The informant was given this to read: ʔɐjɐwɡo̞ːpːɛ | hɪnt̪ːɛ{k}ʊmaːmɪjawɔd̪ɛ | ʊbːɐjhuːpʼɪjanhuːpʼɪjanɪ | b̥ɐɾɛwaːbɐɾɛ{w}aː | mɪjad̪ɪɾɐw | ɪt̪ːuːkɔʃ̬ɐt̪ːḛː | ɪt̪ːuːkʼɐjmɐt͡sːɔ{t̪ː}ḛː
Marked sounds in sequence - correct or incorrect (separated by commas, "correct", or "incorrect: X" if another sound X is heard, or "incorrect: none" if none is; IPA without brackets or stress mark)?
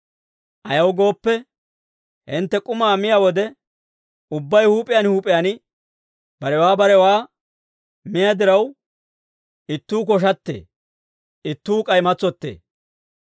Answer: incorrect: kʼ, correct, correct